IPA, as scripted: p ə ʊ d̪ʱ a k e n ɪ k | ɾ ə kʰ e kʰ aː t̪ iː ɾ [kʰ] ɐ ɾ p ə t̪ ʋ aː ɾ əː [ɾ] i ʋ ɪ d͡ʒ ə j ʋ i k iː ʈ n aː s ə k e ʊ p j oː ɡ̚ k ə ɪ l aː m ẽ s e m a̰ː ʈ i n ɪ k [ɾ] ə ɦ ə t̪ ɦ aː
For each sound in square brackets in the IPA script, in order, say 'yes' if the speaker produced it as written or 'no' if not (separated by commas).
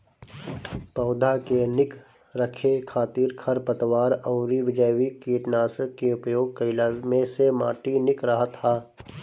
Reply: yes, yes, yes